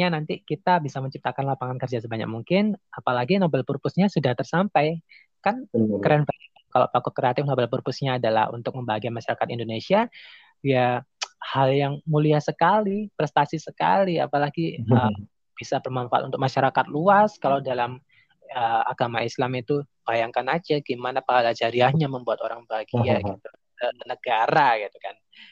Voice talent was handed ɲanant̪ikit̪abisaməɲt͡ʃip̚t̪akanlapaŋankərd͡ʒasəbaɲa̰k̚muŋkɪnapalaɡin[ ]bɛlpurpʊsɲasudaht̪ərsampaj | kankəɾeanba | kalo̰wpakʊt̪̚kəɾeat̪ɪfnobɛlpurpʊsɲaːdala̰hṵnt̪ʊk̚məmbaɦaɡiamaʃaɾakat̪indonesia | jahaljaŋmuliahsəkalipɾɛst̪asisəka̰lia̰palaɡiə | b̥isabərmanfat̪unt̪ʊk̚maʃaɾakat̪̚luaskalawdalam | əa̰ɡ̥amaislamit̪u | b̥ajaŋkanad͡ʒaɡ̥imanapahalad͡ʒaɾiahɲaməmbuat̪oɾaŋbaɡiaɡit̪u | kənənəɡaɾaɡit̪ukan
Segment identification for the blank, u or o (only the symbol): o